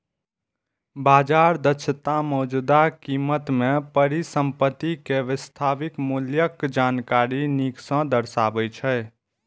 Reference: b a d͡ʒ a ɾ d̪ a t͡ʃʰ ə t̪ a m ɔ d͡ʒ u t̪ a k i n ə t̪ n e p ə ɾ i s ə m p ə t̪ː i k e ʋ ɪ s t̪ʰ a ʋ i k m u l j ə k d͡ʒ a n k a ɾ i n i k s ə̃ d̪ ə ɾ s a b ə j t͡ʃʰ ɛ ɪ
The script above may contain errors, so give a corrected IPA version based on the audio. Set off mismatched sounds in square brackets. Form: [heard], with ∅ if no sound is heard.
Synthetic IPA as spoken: b a d͡ʒ a ɾ d̪ [ə] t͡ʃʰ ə t̪ a m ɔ d͡ʒ u [d̪] a k i [m] ə t̪ [m] e p ə ɾ i s ə m p ə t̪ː i k e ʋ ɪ s t̪ʰ a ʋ i k m u l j ə k d͡ʒ a n k a ɾ i n i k s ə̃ d̪ ə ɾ s a b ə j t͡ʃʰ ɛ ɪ